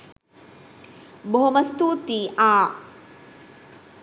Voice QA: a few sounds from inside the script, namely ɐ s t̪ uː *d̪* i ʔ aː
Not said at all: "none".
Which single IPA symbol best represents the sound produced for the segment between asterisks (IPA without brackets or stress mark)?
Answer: t̪